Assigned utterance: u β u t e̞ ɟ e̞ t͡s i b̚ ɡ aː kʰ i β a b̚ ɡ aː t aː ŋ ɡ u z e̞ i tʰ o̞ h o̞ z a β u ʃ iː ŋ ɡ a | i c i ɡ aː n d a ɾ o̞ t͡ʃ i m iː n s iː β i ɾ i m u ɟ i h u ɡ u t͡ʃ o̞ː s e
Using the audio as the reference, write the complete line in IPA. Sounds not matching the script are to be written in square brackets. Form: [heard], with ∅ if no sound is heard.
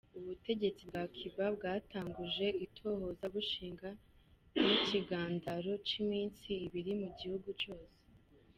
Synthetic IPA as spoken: u β u t e̞ ɟ e̞ t͡s i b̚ ɡ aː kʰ i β a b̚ ɡ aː t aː ŋ ɡ u [ʒ] e̞ i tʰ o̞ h o̞ z a β u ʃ iː ŋ ɡ a | i c i ɡ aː n d a ɾ o̞ t͡ʃ i m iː n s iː β i ɾ i m u ɟ i h u ɡ u t͡ʃ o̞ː s e